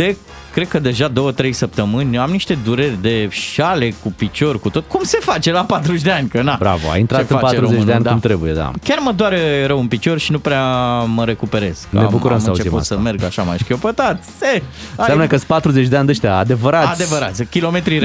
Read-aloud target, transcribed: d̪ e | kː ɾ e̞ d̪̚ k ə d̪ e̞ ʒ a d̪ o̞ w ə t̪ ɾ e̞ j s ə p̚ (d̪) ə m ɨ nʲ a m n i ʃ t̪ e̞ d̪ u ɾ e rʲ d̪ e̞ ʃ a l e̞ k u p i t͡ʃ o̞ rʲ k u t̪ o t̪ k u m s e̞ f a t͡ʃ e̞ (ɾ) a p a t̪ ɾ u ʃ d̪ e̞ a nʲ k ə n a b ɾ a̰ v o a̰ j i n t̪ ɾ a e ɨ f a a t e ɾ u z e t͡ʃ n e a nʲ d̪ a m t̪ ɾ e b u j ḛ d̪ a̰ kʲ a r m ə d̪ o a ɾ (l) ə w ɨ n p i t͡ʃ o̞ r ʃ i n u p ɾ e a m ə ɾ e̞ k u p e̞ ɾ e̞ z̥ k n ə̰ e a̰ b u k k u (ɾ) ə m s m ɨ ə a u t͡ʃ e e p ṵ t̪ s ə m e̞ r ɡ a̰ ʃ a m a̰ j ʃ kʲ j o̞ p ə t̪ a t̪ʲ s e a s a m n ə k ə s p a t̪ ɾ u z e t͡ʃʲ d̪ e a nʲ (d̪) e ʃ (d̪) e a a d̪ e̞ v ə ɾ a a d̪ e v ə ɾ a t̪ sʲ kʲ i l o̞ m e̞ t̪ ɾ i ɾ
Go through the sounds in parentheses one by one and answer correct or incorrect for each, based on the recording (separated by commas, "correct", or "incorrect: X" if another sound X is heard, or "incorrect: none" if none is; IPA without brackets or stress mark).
incorrect: t̪, incorrect: l, incorrect: ɾ, correct, correct, incorrect: t̪